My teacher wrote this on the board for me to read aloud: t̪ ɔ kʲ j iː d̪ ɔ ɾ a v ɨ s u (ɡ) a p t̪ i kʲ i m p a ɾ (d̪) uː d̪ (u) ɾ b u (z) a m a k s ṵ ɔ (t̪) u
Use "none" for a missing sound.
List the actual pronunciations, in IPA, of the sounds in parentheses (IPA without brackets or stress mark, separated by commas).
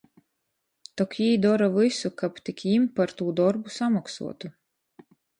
k, t̪, ɔ, s, t̪